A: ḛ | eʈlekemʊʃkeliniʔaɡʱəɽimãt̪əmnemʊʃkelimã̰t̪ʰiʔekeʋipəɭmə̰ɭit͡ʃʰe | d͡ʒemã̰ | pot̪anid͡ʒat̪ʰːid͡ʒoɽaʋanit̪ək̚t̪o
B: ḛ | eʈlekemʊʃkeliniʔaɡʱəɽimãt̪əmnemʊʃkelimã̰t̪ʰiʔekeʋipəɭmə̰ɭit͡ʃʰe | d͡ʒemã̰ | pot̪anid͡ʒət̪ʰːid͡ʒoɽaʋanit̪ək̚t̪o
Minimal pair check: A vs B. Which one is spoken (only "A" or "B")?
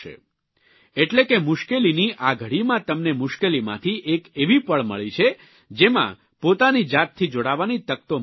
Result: A